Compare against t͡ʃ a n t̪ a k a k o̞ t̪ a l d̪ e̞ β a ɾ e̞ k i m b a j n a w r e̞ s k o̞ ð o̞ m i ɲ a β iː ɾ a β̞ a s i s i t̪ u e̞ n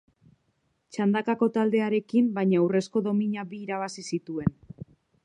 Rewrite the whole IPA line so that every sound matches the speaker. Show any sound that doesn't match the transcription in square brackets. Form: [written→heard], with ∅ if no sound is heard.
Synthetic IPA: t͡ʃ a n [t̪→d̪] a k a k o̞ t̪ a l d̪ e̞ [β→∅] a ɾ e̞ k i m b a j [n→ɲ] a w r e̞ s k o̞ ð o̞ m i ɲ a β iː ɾ a β̞ a s i s i t̪ u e̞ n

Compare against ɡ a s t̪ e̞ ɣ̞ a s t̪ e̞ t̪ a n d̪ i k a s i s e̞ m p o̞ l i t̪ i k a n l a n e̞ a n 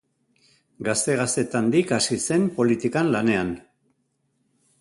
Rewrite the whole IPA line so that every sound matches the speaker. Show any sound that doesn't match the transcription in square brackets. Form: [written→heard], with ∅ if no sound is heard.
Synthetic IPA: ɡ a s t̪ e̞ ɣ̞ a s t̪ e̞ t̪ a n d̪ i k a s i s e̞ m p o̞ l i t̪ i k a n l a n e̞ a n

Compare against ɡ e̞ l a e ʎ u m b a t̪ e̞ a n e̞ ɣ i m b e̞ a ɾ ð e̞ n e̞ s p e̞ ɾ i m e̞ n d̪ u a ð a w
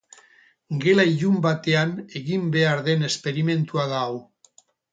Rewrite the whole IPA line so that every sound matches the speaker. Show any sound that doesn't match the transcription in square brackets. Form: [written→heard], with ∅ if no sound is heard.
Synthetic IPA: ɡ e̞ l a [e→i] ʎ u m b a t̪ e̞ a n e̞ ɣ i m b e̞ a ɾ ð e̞ n e̞ s p e̞ ɾ i m e̞ n [d̪→t̪] u a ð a w

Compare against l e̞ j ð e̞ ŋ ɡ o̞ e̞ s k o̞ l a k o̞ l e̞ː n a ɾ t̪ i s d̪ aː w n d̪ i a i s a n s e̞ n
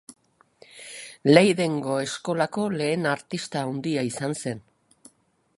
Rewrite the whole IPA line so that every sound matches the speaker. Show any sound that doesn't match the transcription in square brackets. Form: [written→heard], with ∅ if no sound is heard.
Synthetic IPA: l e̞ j ð e̞ ŋ ɡ o̞ e̞ s k o̞ l a k o̞ l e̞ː n a ɾ t̪ i s [d̪→t̪] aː w n d̪ i a i s a n s e̞ n

